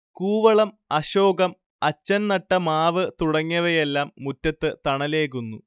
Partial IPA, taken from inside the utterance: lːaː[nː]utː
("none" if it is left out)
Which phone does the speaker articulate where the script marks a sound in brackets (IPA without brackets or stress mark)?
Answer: mː